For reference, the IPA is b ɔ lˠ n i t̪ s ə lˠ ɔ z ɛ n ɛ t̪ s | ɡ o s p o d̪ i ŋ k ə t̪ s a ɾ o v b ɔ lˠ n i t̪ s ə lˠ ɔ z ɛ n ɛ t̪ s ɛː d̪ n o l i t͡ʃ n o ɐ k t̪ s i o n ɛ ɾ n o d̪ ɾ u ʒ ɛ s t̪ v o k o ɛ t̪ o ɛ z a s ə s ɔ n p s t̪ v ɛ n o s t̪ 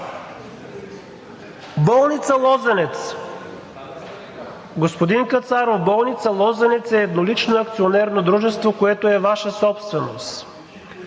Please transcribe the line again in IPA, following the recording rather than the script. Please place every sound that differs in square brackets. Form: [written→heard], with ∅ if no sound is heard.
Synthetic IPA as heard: b ɔ lˠ n i t̪ s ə lˠ ɔ z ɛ n ɛ t̪ s | ɡ o s p o d̪ i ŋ k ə t̪ s a ɾ o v b ɔ lˠ n i t̪ s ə lˠ ɔ z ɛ n ɛ t̪ s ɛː d̪ n o l i t͡ʃ n o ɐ k t̪ s i o n ɛ ɾ n o d̪ ɾ u ʒ ɛ s t̪ v o k o ɛ t̪ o ɛ [z→v] a [s→ʃ] ə s ɔ [n→∅] p s t̪ v ɛ n o s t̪